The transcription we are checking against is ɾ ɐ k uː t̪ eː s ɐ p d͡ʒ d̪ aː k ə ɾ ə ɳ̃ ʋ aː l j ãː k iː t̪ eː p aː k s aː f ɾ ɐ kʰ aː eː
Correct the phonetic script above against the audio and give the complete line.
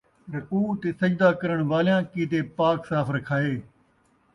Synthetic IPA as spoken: ɾ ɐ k uː t̪ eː s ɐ d͡ʒ d̪ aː k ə ɾ ə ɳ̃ ʋ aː l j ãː k iː t̪ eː p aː k s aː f ɾ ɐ kʰ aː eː